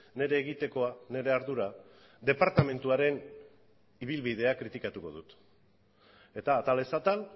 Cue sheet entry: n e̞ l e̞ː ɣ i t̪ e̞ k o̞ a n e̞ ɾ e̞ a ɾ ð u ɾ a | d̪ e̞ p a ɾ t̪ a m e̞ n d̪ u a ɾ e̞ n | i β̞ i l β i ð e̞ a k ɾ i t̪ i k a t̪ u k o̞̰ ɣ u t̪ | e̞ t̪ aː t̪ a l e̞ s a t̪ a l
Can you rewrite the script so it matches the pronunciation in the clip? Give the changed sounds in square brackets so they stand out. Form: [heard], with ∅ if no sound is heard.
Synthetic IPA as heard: n e̞ [ɾ] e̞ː ɣ i t̪ e̞ k o̞ a n e̞ ɾ e̞ a ɾ ð u ɾ a | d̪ e̞ p a ɾ t̪ a m e̞ n [t̪] u a ɾ e̞ n | i β̞ i l β i ð e̞ a k ɾ i t̪ i k a t̪ u k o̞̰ [ð] u t̪ | e̞ t̪ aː t̪ a l e̞ s a t̪ a l